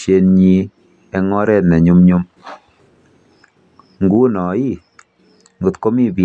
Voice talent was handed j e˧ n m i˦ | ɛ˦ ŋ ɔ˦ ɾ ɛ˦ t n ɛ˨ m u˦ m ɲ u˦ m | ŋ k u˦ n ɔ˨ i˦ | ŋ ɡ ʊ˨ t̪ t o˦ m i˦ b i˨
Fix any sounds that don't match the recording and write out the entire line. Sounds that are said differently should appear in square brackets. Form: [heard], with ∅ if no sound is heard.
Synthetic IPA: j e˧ n [ɲ] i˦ | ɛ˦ ŋ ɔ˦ ɾ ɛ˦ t n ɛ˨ [ɲ] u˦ m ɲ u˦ m | ŋ [ɡ] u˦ n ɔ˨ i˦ | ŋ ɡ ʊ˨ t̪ [k] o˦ m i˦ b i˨